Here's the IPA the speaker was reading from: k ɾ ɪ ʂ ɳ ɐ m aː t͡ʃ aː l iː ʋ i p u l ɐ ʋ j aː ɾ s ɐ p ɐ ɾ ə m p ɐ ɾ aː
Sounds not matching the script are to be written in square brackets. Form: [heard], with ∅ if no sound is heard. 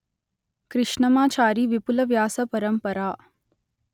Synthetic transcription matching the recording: k ɾ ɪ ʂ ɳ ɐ m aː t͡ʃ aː [ɾ] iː ʋ i p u l ɐ ʋ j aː [∅] s ɐ p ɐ ɾ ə m p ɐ ɾ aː